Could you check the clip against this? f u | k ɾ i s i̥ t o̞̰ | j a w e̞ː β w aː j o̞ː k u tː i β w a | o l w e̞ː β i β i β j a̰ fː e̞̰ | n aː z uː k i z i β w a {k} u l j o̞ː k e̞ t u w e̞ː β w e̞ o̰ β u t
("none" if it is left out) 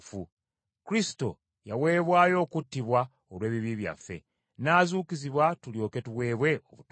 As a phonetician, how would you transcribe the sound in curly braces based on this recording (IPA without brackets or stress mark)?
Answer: t